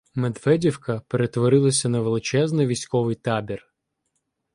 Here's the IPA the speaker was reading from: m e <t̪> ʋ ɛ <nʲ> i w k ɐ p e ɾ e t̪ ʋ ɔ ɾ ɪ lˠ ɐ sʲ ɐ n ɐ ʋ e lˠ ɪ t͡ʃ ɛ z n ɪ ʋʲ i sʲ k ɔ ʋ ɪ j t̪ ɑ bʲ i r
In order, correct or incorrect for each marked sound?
incorrect: d̪, incorrect: dʲ

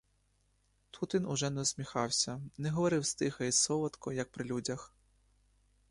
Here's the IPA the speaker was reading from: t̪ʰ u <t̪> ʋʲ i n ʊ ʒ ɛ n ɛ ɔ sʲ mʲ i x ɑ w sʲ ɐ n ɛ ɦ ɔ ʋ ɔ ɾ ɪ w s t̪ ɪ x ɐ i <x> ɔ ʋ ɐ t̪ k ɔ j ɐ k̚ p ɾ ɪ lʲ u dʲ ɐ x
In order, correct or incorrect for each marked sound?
correct, incorrect: s

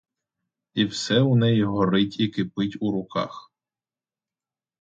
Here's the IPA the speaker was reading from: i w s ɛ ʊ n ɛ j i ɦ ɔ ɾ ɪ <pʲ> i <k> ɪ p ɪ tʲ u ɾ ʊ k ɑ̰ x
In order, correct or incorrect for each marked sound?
incorrect: tʲ, correct

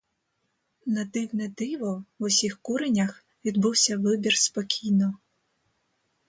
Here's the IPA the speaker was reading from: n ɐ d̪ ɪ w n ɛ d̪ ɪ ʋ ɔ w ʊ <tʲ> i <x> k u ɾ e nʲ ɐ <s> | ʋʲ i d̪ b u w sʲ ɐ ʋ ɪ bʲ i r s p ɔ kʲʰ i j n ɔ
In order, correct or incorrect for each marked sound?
incorrect: sʲ, correct, incorrect: x

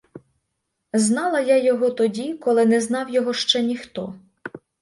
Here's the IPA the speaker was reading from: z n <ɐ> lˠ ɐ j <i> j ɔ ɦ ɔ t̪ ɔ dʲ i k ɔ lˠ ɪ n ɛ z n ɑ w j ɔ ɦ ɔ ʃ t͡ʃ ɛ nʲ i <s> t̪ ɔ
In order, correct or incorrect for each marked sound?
incorrect: ɑ, incorrect: a, incorrect: x

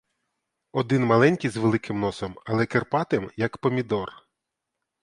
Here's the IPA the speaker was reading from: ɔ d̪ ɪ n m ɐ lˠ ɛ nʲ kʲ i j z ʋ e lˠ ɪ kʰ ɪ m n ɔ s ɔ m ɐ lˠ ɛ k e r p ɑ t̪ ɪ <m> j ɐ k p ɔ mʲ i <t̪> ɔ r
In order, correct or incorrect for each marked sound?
correct, incorrect: d̪

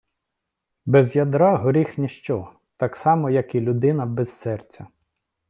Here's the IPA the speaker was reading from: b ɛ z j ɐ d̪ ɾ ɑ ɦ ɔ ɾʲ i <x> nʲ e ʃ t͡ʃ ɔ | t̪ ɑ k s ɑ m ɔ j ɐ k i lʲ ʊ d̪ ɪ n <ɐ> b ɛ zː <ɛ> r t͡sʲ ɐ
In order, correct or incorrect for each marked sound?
correct, correct, correct

